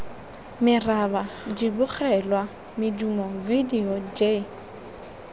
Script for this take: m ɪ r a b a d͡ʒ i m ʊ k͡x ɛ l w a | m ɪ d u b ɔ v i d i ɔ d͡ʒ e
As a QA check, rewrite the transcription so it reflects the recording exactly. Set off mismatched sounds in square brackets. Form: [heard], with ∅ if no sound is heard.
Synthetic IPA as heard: m ɪ r a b a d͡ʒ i [b] ʊ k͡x ɛ l w a | m ɪ d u [m] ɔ v i d i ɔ d͡ʒ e